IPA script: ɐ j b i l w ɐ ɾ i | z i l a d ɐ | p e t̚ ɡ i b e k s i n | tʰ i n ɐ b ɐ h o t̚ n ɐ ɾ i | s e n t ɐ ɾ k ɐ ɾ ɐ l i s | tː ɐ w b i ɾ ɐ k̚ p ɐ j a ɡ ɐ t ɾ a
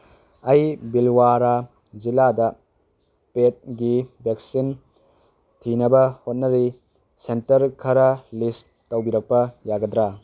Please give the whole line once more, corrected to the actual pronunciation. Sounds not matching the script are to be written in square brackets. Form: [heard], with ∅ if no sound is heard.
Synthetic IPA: ɐ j b i l w [a] ɾ [a] | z i l a d ɐ | p e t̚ ɡ i b e k s i n | tʰ i n ɐ b ɐ h o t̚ n ɐ ɾ i | s e n t ɐ ɾ [kʰ] ɐ ɾ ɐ l i s | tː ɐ w b i ɾ ɐ k̚ p ɐ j a ɡ ɐ [d] ɾ a